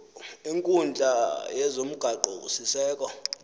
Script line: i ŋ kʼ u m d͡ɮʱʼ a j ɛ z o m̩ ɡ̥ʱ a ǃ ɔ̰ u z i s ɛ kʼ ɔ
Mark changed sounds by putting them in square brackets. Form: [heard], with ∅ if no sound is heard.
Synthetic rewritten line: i ŋ kʼ u [n] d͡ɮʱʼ a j ɛ z o m̩ ɡ̥ʱ a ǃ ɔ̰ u [s] i s [ɛː] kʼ ɔ